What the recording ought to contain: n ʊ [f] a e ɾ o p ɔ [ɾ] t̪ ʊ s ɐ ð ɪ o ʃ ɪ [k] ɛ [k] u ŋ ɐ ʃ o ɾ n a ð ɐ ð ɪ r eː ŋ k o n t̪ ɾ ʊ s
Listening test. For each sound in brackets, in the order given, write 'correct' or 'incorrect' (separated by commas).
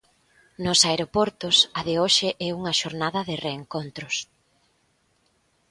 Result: incorrect, correct, incorrect, incorrect